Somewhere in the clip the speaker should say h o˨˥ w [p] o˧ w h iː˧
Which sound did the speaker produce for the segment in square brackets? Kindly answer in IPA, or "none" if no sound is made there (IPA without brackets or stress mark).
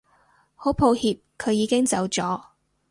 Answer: pʰ